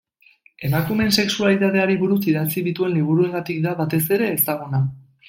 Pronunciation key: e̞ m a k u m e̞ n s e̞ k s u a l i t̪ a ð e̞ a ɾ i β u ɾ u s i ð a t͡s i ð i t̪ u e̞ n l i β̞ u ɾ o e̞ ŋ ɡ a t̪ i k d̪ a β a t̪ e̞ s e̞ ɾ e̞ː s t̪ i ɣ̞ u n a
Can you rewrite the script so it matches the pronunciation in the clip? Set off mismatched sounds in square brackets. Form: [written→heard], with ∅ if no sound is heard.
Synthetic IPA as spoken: e̞ m a k u m e̞ n s e̞ k s u a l i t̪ a ð e̞ a ɾ i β u ɾ u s i ð a t͡s i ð i t̪ u e̞ n l i β̞ u ɾ [o→u] e̞ ŋ ɡ a t̪ i k d̪ a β a t̪ e̞ s e̞ ɾ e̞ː s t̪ [i→a] ɣ̞ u n a